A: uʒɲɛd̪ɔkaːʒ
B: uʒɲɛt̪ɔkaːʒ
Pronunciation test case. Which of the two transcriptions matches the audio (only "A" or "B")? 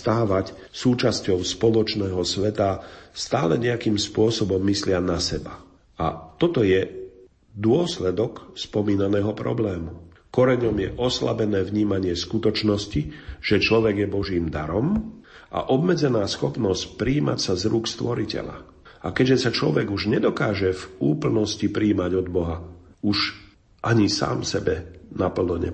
A